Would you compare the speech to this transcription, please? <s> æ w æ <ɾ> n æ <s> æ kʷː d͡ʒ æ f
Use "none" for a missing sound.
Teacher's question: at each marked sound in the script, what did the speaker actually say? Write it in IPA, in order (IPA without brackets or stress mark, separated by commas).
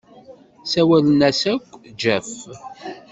s, l, s